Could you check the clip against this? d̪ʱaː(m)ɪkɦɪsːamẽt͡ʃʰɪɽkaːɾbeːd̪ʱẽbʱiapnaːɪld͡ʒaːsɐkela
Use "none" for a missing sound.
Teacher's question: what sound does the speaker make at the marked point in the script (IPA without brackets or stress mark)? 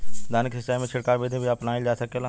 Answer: n